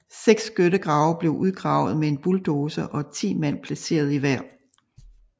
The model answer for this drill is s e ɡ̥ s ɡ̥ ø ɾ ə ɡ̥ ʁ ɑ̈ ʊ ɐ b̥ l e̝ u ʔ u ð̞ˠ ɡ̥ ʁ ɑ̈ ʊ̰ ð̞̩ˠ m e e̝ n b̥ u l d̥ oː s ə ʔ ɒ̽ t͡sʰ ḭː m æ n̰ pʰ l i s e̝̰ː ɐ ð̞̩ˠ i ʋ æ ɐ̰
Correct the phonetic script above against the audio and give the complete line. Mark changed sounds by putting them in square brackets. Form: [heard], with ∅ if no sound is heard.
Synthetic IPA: s e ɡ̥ s ɡ̥ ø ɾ ə ɡ̥ ʁ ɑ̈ ʊ ɐ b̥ l e̝ [ʊ] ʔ u ð̞ˠ ɡ̥ ʁ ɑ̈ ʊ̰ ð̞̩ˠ m e e̝ n b̥ u l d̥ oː s ə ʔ ɒ̽ t͡sʰ ḭː m æ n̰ pʰ l [æ] s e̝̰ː ɐ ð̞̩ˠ i ʋ æ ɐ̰